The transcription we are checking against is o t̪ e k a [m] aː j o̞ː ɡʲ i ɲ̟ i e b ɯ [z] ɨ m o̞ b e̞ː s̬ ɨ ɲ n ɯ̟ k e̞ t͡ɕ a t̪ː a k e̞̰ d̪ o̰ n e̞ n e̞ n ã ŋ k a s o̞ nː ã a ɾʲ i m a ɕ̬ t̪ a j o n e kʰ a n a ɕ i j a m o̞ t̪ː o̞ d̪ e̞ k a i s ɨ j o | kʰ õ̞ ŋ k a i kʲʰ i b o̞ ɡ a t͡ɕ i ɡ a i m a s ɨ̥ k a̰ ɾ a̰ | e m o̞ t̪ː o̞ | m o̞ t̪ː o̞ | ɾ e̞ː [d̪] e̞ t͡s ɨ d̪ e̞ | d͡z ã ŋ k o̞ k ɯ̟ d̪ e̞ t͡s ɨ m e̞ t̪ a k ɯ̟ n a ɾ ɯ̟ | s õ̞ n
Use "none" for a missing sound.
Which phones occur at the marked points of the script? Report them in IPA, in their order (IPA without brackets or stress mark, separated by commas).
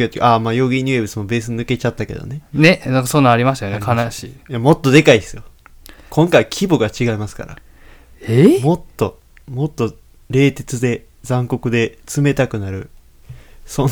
m, s, t̪